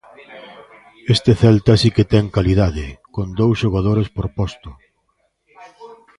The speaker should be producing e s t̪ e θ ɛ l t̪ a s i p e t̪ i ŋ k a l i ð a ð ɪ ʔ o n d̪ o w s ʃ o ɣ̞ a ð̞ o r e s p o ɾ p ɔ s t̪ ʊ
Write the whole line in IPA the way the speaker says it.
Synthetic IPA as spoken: e s t̪ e θ ɛ l t̪ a s i k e t̪ ɛ ŋ k a l i ð a ð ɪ k o n d̪ o w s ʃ o ɣ̞ a ð̞ o ɾ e s p o ɾ p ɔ s t̪ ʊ